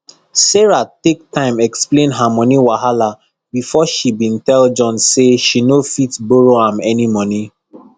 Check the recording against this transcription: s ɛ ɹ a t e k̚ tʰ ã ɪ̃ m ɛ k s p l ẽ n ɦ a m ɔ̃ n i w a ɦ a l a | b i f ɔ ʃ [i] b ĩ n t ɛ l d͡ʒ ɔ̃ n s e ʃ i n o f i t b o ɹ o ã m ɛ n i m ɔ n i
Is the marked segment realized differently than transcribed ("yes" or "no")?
no